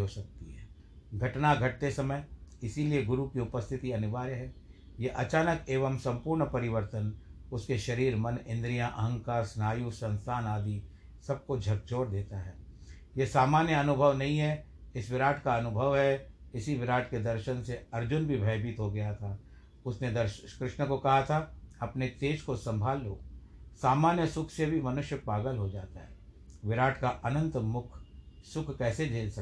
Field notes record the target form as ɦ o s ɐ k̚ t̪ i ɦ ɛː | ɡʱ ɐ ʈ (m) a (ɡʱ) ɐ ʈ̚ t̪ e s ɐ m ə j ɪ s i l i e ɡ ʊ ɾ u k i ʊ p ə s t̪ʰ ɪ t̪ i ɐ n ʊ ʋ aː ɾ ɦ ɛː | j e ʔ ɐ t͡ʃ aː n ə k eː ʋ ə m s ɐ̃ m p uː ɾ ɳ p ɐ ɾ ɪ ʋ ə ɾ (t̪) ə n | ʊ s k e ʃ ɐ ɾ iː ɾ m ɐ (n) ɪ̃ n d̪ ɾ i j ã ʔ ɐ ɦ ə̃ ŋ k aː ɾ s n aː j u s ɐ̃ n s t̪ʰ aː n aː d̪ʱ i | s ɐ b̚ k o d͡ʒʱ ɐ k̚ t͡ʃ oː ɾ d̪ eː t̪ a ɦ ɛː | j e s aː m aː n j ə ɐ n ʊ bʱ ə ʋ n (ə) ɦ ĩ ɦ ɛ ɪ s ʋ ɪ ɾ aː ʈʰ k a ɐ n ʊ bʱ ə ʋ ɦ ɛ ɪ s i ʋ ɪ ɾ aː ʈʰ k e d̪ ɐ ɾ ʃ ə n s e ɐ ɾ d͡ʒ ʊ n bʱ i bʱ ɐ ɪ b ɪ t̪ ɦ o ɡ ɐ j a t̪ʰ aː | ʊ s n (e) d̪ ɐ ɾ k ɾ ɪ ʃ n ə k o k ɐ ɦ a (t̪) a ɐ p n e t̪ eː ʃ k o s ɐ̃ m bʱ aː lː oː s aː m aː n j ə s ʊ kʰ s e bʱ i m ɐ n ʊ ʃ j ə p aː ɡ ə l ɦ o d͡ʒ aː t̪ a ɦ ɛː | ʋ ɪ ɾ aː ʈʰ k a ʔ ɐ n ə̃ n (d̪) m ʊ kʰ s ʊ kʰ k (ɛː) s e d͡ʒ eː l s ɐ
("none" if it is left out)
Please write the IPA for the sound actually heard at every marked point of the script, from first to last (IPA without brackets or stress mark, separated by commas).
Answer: n, ɡʱ, t̪, n, ɐ, e, t̪ʰ, t̪, ɛː